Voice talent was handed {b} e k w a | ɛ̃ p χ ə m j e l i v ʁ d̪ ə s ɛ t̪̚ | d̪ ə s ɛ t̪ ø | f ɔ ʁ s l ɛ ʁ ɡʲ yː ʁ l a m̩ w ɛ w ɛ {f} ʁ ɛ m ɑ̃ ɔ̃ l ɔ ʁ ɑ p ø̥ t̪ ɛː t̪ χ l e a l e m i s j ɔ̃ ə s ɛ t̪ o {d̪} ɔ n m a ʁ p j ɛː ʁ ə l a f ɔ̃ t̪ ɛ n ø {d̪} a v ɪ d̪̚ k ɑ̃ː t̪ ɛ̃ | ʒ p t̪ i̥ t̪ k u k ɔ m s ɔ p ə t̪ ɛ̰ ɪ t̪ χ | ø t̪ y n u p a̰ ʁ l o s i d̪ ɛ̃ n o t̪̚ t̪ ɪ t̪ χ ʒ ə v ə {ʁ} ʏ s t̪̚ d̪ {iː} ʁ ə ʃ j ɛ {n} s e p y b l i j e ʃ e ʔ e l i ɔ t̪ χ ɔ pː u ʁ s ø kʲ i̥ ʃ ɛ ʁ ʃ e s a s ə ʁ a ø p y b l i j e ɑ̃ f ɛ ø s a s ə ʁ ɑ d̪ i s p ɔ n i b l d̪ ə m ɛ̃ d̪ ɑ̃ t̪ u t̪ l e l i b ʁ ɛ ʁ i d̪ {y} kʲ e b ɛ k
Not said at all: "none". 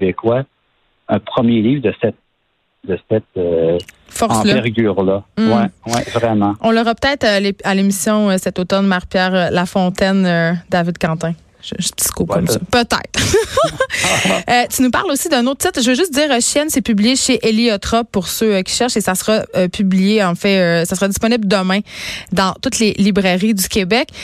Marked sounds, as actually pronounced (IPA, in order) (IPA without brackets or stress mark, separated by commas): b, v, t̪, d̪, ʒ, iː, n, y